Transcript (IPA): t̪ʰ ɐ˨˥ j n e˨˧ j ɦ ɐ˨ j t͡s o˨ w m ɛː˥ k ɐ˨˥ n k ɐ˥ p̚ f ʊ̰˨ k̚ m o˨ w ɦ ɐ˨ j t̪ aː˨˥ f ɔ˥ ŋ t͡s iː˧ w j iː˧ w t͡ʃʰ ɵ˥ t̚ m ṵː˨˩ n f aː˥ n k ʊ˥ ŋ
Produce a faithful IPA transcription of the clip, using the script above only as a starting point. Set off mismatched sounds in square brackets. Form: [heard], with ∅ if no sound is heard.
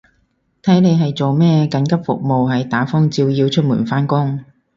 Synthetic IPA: t̪ʰ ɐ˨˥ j n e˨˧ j ɦ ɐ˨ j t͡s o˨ w m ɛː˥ k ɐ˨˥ n k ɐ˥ p̚ f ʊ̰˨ k̚ m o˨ w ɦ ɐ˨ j t̪ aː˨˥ f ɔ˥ ŋ t͡s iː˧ w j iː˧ w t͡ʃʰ ɵ˥ t̚ m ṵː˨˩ n f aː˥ n k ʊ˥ ŋ